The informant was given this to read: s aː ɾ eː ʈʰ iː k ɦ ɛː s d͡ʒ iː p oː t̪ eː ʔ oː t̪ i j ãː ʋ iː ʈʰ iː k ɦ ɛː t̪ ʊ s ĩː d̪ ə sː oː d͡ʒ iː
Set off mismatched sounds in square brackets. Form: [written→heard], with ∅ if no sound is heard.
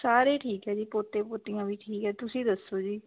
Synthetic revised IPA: s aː ɾ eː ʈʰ iː k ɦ ɛː [s→∅] d͡ʒ iː p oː t̪ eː [ʔ→p] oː t̪ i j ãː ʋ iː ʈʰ iː k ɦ ɛː t̪ ʊ s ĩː d̪ ə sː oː d͡ʒ iː

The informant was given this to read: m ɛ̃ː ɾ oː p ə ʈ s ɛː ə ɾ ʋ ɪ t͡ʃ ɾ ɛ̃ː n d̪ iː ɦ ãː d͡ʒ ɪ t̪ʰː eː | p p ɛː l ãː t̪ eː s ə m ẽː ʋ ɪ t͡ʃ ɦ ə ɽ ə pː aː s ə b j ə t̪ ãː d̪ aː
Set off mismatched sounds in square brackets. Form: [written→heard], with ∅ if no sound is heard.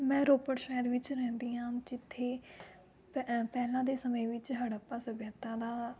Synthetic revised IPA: m ɛ̃ː ɾ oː p ə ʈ [s→ʃ] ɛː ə ɾ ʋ ɪ t͡ʃ ɾ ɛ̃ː n d̪ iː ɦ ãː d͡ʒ ɪ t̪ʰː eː | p p ɛː l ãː [t̪→d̪] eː s ə m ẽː ʋ ɪ t͡ʃ ɦ ə ɽ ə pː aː s ə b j ə t̪ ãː d̪ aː

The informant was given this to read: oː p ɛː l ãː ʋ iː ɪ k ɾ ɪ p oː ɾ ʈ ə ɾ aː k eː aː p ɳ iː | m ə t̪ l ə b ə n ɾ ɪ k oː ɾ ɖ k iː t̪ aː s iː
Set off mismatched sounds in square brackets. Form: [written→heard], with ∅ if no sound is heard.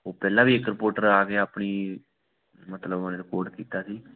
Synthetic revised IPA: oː p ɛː l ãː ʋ iː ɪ k ɾ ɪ p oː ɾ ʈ ə ɾ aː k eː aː p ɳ iː | m ə t̪ l ə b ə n ɾ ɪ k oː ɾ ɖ k iː t̪ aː s iː

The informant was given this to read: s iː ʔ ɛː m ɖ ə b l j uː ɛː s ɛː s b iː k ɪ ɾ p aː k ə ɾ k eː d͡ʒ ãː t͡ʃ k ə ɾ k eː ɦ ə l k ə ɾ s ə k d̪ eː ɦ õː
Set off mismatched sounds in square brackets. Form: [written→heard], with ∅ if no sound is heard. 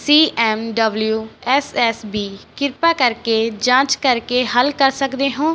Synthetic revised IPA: s iː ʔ ɛː m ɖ ə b l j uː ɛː s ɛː s b iː k ɪ ɾ p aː k ə ɾ k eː d͡ʒ ãː t͡ʃ k ə ɾ k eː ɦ ə l k ə ɾ s ə k d̪ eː ɦ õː

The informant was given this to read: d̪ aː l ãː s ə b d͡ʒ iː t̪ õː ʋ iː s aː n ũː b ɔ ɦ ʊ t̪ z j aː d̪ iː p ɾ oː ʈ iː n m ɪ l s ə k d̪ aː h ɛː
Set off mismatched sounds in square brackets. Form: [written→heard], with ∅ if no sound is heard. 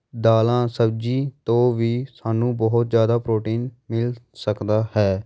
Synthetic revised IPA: d̪ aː l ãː s ə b d͡ʒ iː t̪ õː ʋ iː s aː n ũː b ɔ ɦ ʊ t̪ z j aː d̪ [iː→aː] p ɾ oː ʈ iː n m ɪ l s ə k d̪ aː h ɛː

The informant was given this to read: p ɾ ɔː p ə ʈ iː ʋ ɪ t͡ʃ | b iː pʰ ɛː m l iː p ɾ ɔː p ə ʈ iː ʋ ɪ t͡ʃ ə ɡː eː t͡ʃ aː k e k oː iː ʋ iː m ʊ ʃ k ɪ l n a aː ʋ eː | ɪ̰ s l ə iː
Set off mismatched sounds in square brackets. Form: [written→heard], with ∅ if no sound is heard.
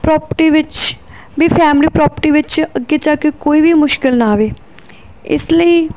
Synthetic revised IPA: p ɾ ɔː p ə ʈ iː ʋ ɪ t͡ʃ | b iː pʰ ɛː m l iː p ɾ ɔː p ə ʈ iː ʋ ɪ t͡ʃ ə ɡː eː t͡ʃ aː k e k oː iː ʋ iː m ʊ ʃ k ɪ l n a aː ʋ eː | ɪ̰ s l ə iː

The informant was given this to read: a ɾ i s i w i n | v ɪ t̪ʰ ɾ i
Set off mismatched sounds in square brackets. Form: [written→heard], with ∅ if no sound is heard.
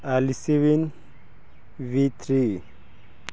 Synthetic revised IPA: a [ɾ→l] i s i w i n | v [ɪ→i] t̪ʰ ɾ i

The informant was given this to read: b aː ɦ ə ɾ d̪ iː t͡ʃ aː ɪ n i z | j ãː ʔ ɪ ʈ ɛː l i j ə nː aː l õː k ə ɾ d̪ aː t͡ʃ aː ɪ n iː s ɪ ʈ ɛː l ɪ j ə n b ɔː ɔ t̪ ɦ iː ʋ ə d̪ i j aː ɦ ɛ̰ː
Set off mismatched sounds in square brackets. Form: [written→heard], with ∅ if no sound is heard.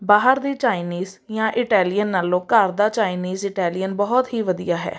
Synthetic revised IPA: b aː ɦ ə ɾ d̪ iː t͡ʃ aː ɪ n [i→iː] z | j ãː ʔ ɪ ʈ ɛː l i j ə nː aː l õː k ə ɾ d̪ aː t͡ʃ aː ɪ n iː [s→z] ɪ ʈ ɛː l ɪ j ə n b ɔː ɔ t̪ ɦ iː ʋ ə d̪ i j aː ɦ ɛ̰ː

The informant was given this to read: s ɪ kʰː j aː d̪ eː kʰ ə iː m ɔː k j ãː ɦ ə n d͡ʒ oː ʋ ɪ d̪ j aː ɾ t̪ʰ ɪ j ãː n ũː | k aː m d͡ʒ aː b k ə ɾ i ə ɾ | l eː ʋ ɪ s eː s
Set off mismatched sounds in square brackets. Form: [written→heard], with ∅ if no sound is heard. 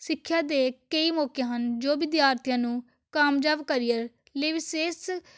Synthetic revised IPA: s ɪ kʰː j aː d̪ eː [kʰ→k] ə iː m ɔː k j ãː ɦ ə n d͡ʒ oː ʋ ɪ d̪ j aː ɾ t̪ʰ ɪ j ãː n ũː | k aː m d͡ʒ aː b k ə ɾ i ə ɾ | l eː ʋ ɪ s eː s

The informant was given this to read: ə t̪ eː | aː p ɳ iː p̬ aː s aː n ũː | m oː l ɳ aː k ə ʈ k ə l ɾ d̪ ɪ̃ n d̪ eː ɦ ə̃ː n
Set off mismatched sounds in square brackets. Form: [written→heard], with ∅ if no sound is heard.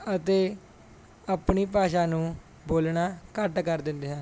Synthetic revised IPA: ə t̪ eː | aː p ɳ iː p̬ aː [s→ʃ] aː n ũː | [m→b] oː l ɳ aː k ə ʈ k ə [l→∅] ɾ d̪ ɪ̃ n d̪ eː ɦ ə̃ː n

